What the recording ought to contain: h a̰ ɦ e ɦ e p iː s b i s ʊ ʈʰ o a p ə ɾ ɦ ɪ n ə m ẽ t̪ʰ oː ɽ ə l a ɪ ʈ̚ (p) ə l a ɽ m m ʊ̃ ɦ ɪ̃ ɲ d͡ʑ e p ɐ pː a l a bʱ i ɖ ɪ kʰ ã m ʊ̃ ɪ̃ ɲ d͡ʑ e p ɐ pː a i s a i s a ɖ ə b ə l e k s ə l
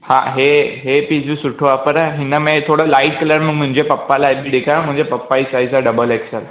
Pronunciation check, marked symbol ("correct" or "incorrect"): incorrect